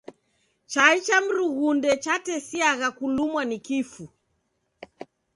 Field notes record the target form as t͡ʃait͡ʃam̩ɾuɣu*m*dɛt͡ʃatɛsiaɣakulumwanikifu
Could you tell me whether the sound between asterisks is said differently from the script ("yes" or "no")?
yes